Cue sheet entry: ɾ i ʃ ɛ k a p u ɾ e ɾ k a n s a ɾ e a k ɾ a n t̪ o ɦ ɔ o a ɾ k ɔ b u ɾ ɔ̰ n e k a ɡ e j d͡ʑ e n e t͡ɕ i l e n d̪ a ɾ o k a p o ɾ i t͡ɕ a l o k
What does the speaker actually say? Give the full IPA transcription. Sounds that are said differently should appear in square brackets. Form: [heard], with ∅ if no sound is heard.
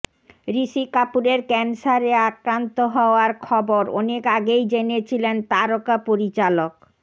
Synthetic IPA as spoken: ɾ i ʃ [i] k a p u ɾ e ɾ k [ɛ] n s a ɾ e a k ɾ a n t̪ o ɦ ɔ o a ɾ [kʰ] ɔ b [o] ɾ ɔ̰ n e k a ɡ e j d͡ʑ e n e [t͡ɕʰ] i l e n [t̪] a ɾ o k a p o ɾ i t͡ɕ a l o k